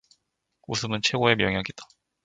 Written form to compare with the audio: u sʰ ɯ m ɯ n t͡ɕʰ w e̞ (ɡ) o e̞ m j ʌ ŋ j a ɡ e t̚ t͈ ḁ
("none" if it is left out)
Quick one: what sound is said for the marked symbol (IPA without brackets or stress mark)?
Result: ɡ